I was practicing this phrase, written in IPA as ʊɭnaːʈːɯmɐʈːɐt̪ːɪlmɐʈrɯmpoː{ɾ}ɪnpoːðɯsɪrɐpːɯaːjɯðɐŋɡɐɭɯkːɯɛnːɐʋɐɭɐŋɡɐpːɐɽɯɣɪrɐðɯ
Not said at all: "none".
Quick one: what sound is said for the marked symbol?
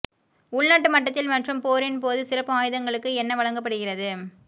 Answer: ɾ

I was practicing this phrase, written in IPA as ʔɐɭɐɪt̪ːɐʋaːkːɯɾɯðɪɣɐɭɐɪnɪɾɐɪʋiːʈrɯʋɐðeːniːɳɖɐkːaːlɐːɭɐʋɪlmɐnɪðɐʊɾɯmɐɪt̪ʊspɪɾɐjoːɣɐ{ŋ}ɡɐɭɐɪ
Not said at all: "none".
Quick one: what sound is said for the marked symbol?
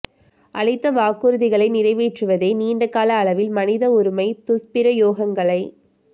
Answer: ŋ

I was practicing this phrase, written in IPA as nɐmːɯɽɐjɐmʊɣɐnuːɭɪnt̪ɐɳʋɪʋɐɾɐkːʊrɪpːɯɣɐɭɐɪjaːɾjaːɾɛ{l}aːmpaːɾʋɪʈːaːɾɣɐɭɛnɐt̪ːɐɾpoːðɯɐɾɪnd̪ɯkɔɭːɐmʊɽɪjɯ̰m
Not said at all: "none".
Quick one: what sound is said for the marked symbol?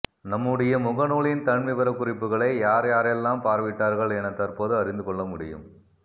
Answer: lː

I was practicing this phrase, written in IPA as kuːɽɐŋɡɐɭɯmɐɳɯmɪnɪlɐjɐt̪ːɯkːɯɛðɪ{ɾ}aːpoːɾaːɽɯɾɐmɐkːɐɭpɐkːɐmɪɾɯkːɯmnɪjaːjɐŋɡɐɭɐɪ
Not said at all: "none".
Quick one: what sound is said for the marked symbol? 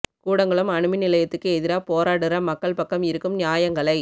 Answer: ɾ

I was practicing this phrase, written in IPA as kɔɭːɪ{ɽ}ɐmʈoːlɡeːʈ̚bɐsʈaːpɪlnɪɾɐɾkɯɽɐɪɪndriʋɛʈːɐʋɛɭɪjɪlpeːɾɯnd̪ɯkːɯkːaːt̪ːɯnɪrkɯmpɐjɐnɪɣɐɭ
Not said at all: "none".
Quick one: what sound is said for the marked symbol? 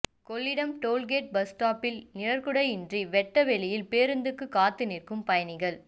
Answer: ɽ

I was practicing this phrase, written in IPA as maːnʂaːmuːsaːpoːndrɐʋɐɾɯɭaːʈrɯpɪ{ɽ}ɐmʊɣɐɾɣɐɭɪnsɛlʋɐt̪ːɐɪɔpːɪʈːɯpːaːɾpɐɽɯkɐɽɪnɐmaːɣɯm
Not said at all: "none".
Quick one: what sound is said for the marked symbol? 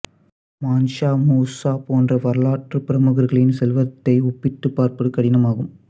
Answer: ɾ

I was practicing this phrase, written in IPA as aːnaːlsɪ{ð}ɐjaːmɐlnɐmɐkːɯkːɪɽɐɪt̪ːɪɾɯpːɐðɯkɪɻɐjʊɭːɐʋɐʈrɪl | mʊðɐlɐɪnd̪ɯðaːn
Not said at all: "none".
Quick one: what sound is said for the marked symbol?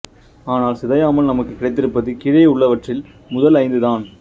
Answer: ð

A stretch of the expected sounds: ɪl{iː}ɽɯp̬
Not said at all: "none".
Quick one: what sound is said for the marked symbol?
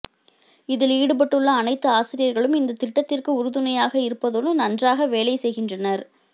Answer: iː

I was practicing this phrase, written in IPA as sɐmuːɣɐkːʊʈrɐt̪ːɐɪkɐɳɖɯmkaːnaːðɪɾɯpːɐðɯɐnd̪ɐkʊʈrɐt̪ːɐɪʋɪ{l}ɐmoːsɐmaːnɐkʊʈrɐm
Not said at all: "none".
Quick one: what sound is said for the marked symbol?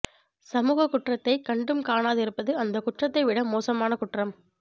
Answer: ɽ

